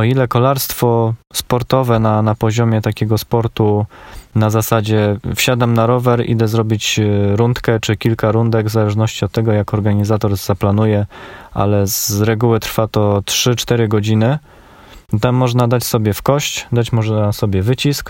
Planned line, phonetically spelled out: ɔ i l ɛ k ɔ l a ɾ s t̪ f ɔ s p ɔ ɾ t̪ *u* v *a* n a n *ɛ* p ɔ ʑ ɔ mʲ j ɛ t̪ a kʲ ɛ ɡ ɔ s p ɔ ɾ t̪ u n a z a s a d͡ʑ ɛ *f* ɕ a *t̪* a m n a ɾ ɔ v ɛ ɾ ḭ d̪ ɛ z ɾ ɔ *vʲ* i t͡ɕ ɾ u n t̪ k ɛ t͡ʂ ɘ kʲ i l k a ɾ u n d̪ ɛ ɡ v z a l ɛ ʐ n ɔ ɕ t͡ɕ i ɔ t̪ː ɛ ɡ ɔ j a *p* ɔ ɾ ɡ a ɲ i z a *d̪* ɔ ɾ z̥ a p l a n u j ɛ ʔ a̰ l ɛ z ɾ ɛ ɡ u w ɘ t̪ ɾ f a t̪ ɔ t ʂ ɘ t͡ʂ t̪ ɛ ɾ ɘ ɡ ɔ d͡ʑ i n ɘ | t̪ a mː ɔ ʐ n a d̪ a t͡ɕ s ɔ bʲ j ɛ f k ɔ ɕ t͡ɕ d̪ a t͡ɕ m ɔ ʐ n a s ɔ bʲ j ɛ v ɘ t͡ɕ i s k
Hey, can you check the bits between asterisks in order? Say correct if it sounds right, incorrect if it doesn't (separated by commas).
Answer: incorrect, incorrect, incorrect, correct, incorrect, incorrect, incorrect, incorrect